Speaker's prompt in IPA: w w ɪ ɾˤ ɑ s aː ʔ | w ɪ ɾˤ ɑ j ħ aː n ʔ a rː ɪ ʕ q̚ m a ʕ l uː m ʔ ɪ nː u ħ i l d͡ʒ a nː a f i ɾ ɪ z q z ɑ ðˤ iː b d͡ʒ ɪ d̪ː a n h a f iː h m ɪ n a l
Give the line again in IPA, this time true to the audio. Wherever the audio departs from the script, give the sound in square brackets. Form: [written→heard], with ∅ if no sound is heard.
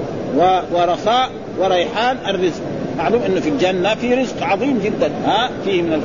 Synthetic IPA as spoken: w w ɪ ɾˤ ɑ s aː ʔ | w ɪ ɾˤ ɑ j ħ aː n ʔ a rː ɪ [ʕ→z] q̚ m a ʕ l uː m ʔ ɪ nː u [ħ→f] i l d͡ʒ a nː a f i ɾ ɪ z q [z→ʕ] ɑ ðˤ iː [b→m] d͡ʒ ɪ d̪ː a n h a f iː h m ɪ n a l